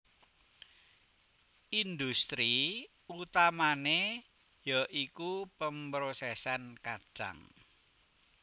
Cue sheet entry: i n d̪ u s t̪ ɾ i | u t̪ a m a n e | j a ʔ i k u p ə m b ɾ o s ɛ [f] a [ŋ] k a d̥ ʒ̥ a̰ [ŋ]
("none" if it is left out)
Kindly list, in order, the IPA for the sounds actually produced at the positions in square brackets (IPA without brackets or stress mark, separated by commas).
s, n, ŋ